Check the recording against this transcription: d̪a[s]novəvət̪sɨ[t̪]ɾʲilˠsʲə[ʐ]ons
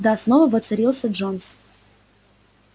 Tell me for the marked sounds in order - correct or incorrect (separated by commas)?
correct, incorrect, correct